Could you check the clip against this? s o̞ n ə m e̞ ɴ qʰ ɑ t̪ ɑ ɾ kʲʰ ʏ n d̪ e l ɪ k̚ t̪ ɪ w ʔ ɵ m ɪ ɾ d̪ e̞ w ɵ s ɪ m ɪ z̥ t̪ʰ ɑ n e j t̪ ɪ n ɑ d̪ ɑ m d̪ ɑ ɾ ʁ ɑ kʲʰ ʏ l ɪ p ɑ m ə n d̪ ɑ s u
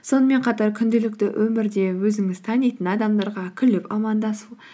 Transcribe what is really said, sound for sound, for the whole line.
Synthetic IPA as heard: s o̞ n ə m e̞ ɴ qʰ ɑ t̪ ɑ ɾ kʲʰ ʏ n d̪ e l ɪ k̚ t̪ ɪ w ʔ ɵ m ɪ ɾ d̪ e̞ w ɵ z ɪ ŋ ɪ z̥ t̪ʰ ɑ n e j t̪ ɪ n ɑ d̪ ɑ m d̪ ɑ ɾ ʁ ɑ kʲʰ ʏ l ɪ p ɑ m ɑ n d̪ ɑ s u